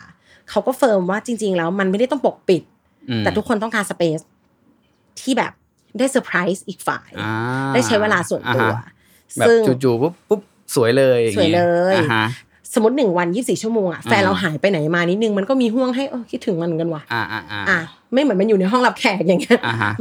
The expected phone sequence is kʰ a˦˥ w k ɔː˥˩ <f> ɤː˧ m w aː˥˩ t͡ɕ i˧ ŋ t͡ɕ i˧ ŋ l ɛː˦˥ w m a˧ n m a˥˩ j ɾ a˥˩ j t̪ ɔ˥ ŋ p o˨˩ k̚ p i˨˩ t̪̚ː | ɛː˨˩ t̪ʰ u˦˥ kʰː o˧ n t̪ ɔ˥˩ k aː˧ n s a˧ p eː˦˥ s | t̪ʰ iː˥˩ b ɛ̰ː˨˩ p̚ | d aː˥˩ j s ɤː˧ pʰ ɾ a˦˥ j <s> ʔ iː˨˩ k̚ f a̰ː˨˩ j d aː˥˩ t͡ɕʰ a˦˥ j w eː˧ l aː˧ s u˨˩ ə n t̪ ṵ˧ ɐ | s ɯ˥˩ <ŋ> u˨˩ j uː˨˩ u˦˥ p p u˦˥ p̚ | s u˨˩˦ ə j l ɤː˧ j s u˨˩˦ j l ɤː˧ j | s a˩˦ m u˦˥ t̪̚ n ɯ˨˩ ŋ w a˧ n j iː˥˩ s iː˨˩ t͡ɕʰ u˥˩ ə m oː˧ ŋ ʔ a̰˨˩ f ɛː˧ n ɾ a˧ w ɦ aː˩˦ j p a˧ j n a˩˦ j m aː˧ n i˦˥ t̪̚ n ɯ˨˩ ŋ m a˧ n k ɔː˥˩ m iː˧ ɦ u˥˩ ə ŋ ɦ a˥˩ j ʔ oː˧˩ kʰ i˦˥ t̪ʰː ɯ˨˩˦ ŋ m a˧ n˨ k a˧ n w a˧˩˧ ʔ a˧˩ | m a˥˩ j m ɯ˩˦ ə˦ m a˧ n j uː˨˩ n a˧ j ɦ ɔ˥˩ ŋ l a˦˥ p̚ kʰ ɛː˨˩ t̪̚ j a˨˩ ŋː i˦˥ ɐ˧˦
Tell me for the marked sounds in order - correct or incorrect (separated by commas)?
correct, correct, correct